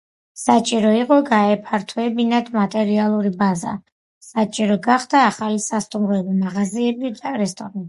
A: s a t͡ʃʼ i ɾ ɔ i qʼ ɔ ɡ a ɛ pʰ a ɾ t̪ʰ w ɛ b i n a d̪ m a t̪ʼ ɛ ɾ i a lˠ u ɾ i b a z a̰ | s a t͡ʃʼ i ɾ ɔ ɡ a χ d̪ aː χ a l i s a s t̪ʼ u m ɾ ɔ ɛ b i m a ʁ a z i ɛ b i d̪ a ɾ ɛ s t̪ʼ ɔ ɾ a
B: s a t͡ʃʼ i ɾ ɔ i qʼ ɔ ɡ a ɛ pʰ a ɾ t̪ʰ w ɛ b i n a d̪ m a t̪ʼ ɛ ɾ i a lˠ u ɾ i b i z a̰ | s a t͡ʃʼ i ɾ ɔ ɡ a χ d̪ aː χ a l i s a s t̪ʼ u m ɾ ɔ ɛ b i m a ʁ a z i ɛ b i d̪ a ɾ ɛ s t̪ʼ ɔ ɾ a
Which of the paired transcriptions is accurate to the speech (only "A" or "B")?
A